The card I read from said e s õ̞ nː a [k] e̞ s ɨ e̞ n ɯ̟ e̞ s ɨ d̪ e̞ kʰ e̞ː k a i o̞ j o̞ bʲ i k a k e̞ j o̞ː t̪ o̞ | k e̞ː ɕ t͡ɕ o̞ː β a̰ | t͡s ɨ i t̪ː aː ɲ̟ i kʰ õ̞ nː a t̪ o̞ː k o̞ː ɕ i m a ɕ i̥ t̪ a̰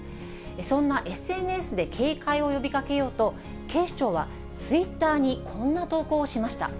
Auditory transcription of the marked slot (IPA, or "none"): ʔ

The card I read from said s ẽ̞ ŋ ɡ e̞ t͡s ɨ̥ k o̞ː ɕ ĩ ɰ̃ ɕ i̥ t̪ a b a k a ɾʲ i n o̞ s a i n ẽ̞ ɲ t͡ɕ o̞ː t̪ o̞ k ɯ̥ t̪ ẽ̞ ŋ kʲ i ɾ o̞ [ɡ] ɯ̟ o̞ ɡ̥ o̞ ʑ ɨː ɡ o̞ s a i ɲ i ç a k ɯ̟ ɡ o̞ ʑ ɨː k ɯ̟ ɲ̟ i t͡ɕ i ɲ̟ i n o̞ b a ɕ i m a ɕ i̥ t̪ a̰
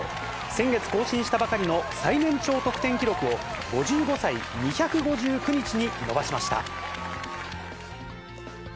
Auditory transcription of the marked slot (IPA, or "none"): k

